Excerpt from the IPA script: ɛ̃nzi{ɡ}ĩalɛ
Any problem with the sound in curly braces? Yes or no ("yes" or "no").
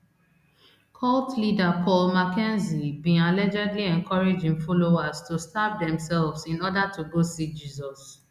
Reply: yes